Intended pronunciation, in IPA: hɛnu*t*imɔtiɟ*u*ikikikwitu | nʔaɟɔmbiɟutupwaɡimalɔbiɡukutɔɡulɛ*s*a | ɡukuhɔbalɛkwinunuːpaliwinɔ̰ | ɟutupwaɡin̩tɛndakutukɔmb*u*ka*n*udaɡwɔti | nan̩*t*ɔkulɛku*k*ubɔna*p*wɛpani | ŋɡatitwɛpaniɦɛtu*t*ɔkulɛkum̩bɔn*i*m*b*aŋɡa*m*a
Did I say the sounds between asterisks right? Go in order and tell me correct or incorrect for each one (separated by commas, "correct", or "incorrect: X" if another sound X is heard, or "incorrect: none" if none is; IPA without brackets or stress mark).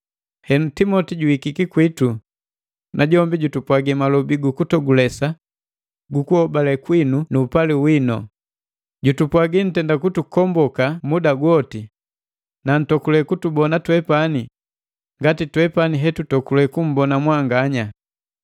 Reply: correct, correct, correct, incorrect: ɔ, incorrect: m, correct, incorrect: t, incorrect: t, correct, incorrect: a, incorrect: w, incorrect: ɲ